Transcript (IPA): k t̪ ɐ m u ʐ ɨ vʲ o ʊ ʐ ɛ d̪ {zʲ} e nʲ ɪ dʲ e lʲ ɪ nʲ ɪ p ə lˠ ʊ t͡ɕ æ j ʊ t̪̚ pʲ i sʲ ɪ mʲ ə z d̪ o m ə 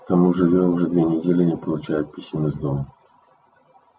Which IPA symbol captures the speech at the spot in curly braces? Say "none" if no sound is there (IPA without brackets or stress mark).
vʲ